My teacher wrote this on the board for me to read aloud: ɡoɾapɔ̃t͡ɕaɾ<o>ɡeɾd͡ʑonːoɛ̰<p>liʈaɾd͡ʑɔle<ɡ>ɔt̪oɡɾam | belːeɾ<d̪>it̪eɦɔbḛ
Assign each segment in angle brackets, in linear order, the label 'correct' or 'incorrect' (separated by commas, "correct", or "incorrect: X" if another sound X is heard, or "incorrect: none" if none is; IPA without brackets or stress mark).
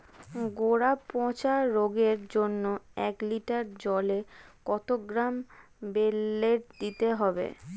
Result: correct, incorrect: k, incorrect: k, correct